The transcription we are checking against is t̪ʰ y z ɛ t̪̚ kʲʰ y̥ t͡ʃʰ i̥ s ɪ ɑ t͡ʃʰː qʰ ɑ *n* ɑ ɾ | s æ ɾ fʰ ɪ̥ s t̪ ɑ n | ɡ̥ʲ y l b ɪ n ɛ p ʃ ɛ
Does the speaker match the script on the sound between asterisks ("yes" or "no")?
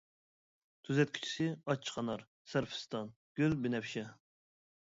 yes